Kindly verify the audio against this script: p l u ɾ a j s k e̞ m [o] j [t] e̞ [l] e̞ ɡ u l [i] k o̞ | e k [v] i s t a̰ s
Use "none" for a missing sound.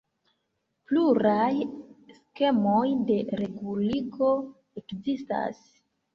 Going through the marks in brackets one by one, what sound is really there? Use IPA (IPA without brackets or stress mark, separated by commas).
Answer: o, d, ɾ, i, z